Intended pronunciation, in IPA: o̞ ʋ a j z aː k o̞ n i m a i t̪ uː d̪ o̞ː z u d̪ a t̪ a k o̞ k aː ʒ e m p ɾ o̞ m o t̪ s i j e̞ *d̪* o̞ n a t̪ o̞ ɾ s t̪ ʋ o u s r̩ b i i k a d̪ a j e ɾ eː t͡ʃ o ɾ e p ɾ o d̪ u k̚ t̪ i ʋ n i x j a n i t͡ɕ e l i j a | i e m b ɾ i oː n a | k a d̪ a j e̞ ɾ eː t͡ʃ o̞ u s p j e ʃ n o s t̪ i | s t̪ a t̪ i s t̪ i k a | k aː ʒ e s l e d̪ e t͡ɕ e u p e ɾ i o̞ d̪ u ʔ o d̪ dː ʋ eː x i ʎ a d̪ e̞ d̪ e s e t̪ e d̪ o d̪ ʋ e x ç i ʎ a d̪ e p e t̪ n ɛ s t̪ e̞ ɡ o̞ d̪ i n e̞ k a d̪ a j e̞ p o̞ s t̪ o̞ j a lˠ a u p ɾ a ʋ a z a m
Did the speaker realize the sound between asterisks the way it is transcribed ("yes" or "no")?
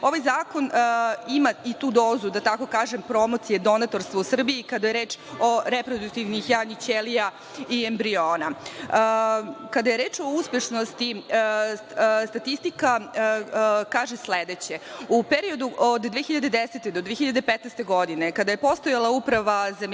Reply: yes